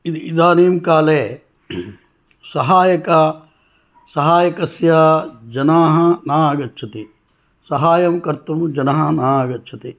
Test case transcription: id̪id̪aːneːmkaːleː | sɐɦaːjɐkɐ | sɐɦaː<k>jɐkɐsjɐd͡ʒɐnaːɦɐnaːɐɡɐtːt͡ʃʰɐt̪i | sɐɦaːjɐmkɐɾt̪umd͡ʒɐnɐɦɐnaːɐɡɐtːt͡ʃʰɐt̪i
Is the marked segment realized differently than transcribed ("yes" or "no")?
yes